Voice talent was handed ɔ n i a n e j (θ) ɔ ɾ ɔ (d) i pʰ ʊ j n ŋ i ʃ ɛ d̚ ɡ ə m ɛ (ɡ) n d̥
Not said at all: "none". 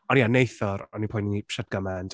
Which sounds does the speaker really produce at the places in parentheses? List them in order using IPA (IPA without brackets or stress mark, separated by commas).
θ, n, none